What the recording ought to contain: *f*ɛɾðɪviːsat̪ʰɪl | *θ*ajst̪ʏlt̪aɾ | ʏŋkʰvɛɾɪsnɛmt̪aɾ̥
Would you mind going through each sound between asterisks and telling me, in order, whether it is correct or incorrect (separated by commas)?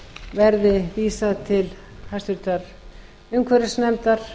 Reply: incorrect, incorrect